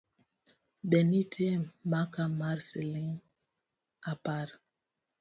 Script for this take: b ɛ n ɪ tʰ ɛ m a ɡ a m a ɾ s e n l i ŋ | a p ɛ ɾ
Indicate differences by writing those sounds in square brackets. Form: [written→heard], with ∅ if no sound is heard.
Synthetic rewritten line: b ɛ n [ɪ→i] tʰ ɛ m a [ɡ→k] a m a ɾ s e [n→∅] l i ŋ | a p [ɛ→a] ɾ

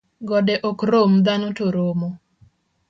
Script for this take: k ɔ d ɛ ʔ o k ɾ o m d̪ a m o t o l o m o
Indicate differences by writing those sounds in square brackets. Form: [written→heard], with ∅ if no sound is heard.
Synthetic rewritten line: [k→ɡ] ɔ d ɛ ʔ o k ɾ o m d̪ a [m→n] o t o [l→ɾ] o m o

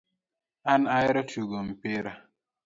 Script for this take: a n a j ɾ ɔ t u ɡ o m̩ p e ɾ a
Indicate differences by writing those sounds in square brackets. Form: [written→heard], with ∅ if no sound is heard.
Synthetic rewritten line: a n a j ɾ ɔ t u ɡ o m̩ p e ɾ a

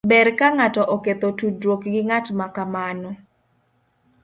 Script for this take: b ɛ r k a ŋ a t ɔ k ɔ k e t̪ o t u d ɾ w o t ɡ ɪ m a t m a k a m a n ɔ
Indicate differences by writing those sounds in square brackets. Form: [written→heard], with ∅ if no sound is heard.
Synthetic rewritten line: b ɛ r k a ŋ a t ɔ [k→ʔ] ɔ k e t̪ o t u d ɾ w o [t→k] ɡ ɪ [m→ŋ] a t m a k a m a n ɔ

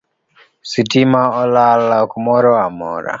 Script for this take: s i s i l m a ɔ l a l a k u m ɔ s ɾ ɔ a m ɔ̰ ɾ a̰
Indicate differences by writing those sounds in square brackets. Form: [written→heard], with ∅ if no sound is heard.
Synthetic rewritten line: s i [s→t] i [l→∅] m a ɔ l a l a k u m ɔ [s→∅] ɾ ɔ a m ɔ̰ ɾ a̰

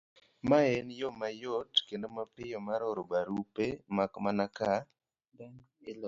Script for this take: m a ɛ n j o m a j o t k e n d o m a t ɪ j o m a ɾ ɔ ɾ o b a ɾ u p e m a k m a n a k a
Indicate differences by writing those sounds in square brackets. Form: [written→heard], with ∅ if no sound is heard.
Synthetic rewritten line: m a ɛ n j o m a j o t k e n d o m a [t→p] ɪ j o m a ɾ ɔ ɾ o b a ɾ u p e m a k m a n a k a

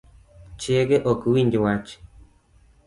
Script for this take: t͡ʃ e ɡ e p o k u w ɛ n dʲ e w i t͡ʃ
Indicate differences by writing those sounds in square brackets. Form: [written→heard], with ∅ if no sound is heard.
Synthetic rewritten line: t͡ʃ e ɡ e [p→ʔ] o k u w [ɛ→i] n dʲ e w [i→a] t͡ʃ

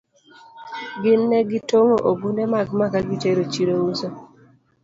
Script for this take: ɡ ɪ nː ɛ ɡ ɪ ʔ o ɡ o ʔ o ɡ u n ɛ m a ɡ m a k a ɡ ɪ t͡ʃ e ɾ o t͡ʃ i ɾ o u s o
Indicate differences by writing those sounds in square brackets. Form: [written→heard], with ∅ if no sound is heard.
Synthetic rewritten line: ɡ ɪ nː ɛ ɡ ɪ [ʔ→t] o [ɡ→ŋ] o ʔ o ɡ u n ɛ m a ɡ m a k a ɡ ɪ t͡ʃ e ɾ o t͡ʃ i ɾ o u s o

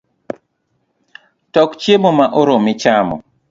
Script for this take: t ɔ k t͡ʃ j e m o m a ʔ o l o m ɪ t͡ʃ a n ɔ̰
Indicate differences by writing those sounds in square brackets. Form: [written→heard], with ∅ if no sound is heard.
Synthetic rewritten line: t ɔ k t͡ʃ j e m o m a ʔ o [l→ɾ] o m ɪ t͡ʃ a [n→m] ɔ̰

